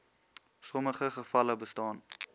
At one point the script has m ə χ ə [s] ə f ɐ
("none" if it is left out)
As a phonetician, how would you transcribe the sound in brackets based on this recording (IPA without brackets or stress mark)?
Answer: χ